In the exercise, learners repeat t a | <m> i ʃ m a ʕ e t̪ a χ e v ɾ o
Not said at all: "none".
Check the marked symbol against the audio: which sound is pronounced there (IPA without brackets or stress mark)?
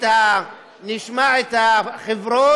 n